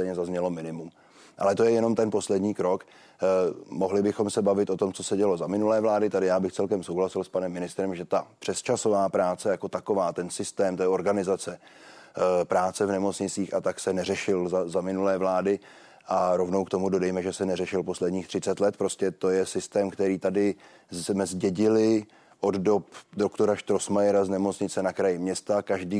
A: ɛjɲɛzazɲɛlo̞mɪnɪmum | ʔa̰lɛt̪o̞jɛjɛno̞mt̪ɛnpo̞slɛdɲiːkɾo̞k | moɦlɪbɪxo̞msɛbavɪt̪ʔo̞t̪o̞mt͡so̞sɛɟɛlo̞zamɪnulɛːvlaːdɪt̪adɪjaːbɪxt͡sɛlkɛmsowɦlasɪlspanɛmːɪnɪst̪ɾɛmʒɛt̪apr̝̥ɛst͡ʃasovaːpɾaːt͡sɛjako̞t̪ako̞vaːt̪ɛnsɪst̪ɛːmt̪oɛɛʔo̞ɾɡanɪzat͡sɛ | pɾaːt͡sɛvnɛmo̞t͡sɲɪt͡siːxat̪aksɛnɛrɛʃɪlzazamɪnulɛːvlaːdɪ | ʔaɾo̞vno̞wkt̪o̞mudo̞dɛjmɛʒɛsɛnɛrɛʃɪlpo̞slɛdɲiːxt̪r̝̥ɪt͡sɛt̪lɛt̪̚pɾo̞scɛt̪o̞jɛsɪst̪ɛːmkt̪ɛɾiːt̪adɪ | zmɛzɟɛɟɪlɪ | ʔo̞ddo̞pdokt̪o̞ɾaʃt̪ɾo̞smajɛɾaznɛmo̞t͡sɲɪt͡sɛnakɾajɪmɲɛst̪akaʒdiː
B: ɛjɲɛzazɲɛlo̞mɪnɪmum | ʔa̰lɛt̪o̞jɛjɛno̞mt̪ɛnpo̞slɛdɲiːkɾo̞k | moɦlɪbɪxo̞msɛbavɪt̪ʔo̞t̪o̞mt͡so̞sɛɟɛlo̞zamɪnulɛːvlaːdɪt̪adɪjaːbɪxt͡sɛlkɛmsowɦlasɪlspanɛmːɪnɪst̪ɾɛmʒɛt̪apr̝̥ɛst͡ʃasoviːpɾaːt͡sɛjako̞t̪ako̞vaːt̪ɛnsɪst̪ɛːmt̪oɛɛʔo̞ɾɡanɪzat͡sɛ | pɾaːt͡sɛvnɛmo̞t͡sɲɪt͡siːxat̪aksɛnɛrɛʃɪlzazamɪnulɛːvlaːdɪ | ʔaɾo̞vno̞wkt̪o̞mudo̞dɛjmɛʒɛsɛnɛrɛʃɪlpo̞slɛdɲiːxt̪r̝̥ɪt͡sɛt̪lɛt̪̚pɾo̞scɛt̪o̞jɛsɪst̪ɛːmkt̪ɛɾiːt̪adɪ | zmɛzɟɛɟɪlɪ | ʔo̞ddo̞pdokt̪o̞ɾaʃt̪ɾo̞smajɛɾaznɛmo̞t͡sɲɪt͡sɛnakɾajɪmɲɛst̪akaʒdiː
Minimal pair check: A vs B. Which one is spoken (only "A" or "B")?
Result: A